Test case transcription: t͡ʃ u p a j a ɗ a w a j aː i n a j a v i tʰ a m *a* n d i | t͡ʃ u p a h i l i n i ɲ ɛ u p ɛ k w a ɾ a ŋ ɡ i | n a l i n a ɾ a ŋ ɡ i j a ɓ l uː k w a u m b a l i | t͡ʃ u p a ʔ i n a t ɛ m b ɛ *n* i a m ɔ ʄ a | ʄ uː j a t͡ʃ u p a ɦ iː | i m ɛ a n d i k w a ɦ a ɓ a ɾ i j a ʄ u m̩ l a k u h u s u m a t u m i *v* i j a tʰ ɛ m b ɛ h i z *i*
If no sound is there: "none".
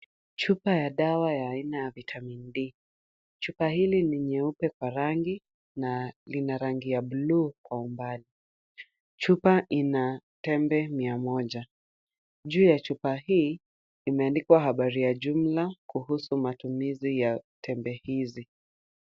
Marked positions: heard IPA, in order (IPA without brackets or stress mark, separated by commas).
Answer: i, m, z, i